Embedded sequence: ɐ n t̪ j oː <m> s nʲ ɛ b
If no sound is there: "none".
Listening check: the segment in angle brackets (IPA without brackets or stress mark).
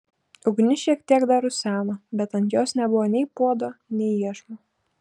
none